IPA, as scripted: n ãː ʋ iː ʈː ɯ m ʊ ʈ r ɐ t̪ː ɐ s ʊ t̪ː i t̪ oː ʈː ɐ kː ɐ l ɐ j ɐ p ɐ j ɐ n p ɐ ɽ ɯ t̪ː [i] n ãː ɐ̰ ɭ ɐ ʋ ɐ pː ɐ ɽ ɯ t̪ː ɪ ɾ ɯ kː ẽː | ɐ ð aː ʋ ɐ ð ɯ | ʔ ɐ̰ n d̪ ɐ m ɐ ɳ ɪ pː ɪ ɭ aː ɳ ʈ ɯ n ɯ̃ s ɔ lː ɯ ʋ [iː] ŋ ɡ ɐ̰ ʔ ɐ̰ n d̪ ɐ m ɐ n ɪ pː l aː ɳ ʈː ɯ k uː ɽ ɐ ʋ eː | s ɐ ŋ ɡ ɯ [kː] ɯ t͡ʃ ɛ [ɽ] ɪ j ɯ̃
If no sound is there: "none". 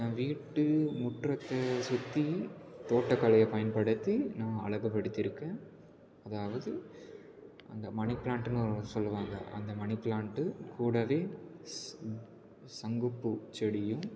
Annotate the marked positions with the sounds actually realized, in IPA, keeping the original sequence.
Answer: i, aː, pː, ɽ

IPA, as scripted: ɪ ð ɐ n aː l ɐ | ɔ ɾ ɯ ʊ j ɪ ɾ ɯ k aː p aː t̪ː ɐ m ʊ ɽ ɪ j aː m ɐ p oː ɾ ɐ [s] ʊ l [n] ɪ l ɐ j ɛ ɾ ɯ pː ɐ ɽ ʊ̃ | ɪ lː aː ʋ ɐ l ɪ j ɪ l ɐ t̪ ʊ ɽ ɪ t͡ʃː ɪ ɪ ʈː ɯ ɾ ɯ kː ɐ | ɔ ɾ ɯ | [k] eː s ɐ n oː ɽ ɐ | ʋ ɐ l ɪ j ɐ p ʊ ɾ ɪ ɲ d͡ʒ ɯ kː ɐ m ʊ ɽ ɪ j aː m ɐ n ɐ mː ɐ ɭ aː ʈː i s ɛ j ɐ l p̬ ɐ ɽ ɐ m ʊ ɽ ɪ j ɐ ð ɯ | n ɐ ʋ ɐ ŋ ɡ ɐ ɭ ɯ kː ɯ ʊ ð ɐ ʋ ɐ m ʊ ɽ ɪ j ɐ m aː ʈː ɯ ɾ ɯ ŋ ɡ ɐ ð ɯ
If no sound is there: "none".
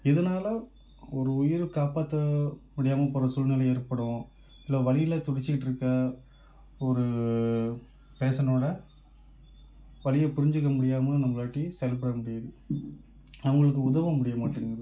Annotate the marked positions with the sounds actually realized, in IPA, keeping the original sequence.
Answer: s, n, p

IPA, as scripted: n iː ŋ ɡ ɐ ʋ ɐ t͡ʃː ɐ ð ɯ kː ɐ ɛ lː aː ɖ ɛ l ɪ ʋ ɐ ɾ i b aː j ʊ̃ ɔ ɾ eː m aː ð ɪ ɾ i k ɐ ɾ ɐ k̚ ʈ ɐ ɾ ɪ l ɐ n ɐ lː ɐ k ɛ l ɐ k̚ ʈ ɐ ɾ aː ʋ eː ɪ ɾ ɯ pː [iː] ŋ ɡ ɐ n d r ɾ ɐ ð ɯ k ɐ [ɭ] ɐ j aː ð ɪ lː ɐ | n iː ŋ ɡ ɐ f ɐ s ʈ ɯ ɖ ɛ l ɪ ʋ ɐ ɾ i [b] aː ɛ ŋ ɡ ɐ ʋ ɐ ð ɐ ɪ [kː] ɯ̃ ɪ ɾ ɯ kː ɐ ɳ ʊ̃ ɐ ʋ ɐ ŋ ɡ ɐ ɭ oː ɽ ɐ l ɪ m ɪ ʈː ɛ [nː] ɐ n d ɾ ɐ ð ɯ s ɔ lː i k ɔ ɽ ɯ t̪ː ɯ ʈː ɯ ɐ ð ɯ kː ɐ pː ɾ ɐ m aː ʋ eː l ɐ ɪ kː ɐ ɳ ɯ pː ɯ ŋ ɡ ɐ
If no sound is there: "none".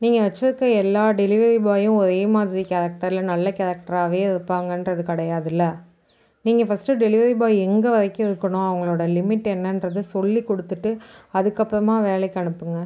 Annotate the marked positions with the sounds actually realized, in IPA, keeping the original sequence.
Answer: aː, ɽ, b, kː, nː

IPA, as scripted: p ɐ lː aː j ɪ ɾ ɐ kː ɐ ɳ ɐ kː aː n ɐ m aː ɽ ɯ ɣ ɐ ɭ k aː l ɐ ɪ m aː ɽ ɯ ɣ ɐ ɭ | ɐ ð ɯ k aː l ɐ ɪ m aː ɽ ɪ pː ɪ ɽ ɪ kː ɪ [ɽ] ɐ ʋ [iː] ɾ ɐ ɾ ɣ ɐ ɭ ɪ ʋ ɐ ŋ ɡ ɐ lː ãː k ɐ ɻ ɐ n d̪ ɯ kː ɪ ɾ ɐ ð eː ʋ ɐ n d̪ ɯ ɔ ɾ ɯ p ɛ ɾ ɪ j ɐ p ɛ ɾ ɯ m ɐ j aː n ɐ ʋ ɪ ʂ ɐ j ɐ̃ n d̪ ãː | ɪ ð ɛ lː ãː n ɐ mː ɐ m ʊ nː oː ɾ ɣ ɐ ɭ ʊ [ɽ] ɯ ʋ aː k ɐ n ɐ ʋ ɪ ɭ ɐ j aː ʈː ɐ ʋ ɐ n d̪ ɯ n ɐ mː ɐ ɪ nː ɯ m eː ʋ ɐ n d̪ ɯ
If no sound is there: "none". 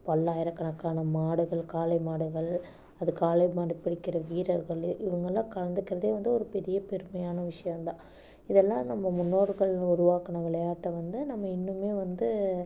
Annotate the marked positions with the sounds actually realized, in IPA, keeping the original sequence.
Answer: ɾ, iː, ɾ

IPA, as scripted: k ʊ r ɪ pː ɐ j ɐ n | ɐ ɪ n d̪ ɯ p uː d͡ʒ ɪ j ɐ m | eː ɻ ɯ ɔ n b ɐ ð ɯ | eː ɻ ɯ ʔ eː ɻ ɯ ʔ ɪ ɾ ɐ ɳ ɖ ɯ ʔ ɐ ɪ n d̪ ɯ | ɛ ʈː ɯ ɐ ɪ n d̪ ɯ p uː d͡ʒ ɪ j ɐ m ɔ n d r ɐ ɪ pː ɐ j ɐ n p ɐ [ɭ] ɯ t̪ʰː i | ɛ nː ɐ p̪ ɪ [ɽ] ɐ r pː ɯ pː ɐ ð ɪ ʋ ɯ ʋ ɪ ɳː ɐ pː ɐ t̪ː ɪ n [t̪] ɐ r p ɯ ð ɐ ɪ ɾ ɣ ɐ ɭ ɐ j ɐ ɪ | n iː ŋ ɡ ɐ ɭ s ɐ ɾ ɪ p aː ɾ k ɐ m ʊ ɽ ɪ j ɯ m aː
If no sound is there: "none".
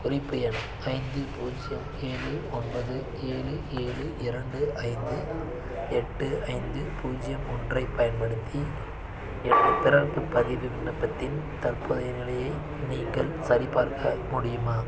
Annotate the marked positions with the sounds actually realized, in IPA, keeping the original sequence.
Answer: ɽ, ɾ, t̪

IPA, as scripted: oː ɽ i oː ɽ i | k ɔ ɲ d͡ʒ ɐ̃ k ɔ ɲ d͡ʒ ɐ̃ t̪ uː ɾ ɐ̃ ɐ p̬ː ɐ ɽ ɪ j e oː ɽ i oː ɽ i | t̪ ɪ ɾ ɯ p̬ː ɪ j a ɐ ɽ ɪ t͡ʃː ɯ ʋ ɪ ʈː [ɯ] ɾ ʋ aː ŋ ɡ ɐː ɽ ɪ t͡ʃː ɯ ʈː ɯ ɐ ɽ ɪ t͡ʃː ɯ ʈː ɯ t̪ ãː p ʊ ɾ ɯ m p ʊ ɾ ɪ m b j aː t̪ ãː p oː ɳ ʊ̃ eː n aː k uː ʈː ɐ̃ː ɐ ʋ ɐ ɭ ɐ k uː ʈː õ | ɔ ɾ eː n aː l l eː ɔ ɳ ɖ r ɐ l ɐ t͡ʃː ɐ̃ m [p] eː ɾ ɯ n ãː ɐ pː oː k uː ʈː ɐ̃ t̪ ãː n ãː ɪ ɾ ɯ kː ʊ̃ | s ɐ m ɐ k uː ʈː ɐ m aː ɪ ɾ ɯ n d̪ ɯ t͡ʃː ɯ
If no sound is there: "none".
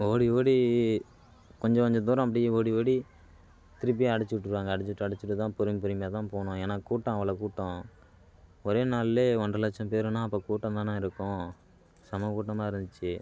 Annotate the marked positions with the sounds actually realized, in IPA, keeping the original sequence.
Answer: ɯ, p

